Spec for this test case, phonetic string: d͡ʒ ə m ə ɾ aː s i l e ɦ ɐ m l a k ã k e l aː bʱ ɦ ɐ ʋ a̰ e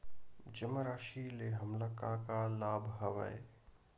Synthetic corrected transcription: d͡ʒ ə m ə ɾ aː ʃ i l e ɦ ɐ m l a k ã k a l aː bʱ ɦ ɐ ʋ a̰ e